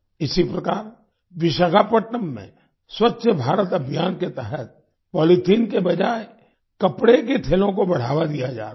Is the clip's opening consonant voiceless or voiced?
voiceless